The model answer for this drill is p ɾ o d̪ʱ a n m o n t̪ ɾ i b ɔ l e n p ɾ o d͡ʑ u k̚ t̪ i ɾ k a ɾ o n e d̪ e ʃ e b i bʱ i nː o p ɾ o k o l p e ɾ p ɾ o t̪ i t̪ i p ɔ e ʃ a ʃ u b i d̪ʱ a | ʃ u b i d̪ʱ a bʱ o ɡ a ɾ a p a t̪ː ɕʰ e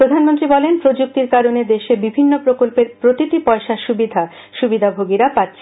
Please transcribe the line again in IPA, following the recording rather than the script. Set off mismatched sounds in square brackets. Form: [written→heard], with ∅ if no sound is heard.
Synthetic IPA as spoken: p ɾ o d̪ʱ a n m o n t̪ ɾ i b ɔ l e n p ɾ o d͡ʑ u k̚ t̪ i ɾ k a ɾ o n e d̪ e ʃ e b i bʱ i nː o p ɾ o k o l p e ɾ p ɾ o t̪ i t̪ i p ɔ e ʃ a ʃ u b i d̪ʱ a | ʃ u b i d̪ʱ a bʱ o ɡ [a→i] ɾ a p a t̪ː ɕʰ e